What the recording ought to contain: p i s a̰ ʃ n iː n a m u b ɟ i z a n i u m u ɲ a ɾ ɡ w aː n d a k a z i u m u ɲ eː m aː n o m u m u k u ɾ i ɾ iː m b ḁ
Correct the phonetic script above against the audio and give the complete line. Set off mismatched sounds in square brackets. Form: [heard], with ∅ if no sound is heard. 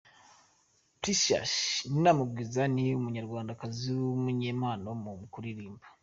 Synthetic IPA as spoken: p i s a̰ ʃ n [i] n a m u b [ɡ] i z a n i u m u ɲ a ɾ ɡ w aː n d a k a z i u m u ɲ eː m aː n o m u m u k u ɾ i ɾ iː m b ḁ

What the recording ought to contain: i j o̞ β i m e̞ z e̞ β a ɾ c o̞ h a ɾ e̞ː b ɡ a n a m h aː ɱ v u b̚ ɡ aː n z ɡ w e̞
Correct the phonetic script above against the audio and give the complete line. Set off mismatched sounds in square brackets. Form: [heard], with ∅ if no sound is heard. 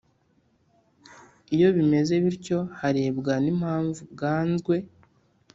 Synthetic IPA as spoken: i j o̞ β i m e̞ z e̞ β [i] ɾ c o̞ h a ɾ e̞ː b ɡ a n [i] m h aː ɱ v u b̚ ɡ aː n z ɡ w e̞

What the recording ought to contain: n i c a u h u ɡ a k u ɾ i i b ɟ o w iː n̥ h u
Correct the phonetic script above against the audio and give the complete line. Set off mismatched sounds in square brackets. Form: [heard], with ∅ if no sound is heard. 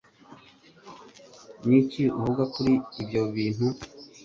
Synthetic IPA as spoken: n i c [i] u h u ɡ a k u ɾ i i b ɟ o [β] iː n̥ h u

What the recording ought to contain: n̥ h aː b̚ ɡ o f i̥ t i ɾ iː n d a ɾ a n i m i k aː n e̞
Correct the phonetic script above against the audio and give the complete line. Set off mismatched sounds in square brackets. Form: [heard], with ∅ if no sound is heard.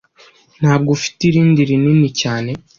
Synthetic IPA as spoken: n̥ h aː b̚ ɡ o f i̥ t i ɾ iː n d [i] ɾ [i] n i [n] i [c] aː n e̞

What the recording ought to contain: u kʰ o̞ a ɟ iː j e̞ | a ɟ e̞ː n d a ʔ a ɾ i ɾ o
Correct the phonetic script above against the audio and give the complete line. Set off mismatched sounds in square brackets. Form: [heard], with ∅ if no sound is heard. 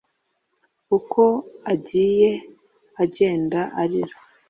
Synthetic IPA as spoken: u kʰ o̞ a ɟ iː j e̞ | a ɟ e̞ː n d a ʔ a ɾ i ɾ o

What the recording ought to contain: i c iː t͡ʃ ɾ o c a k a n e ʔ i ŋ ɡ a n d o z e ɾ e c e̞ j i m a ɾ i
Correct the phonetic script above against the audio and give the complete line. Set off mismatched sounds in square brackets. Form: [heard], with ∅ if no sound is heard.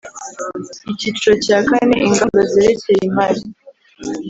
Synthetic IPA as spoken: i c [i] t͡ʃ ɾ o c a k a n e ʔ i ŋ ɡ a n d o z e ɾ e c e̞ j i m a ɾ i

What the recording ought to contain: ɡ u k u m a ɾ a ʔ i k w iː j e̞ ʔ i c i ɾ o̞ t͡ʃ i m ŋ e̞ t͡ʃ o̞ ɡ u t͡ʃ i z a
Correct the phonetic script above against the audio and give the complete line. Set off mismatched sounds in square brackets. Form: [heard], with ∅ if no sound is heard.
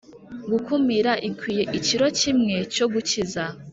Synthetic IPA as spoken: ɡ u k u m [i] ɾ a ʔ i k w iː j e̞ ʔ i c i ɾ o̞ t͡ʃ i m ŋ e̞ t͡ʃ o̞ ɡ u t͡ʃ i z a

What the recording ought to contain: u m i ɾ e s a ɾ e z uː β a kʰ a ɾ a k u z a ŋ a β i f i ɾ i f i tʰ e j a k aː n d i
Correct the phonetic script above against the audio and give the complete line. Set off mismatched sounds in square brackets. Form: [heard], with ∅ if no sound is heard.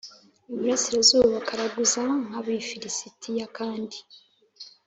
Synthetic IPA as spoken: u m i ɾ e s [i] ɾ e z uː β a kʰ a ɾ a [ɡ] u z a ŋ a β i f i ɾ i [s] i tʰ [i] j a k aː n d i

